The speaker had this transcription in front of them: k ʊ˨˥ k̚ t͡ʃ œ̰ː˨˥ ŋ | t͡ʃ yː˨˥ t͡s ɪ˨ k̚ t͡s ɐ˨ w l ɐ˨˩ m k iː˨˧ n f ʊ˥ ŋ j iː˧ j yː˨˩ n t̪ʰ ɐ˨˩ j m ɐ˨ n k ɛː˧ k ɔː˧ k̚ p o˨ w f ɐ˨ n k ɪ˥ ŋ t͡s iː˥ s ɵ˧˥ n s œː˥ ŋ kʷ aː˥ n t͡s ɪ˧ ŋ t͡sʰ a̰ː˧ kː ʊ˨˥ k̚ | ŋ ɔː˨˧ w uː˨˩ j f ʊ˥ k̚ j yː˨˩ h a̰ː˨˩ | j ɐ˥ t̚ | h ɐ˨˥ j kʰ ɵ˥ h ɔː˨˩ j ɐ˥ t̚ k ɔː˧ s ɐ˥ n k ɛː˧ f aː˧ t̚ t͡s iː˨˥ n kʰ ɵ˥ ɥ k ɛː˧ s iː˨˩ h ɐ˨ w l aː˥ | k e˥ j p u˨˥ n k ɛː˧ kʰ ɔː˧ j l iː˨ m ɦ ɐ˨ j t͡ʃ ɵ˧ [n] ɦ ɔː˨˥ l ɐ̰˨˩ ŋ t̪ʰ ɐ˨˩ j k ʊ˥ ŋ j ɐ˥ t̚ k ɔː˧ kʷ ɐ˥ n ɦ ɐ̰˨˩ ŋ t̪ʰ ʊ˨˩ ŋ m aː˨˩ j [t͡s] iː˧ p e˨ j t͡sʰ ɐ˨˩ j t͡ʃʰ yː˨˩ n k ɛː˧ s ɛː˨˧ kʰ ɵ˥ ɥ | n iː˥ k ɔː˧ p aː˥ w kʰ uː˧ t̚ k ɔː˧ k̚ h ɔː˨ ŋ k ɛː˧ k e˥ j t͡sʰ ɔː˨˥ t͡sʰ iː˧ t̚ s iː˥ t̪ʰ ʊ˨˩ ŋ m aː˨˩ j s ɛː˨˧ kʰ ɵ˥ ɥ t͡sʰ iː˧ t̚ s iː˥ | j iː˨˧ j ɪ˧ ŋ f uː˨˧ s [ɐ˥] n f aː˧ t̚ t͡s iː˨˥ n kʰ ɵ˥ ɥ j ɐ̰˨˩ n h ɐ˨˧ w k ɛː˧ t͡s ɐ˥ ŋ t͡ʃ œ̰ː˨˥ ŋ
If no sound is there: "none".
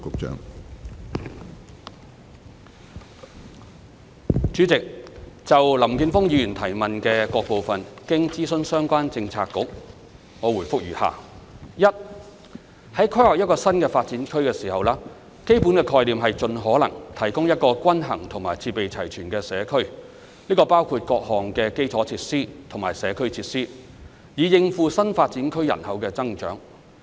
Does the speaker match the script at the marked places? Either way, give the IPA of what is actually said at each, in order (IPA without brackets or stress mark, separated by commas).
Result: n, t͡sʰ, ɐ˥